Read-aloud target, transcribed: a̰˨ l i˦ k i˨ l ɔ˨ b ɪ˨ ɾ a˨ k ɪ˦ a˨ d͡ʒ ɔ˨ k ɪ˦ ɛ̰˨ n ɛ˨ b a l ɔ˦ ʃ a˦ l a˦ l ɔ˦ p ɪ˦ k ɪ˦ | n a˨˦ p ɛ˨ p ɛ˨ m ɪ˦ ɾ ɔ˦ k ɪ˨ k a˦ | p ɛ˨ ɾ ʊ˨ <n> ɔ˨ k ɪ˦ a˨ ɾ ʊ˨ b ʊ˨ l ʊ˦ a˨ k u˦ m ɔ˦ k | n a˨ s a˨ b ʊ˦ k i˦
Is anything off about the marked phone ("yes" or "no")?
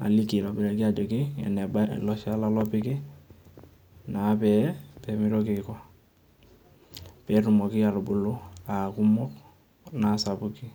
yes